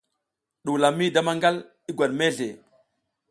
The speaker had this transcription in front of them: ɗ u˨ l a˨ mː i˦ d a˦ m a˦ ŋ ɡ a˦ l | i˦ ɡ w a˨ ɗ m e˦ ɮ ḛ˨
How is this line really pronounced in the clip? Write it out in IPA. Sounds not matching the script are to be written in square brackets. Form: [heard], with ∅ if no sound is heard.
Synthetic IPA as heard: ɗ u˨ l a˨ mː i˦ d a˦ m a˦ ŋ ɡ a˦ l | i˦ ɡ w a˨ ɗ m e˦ ɮ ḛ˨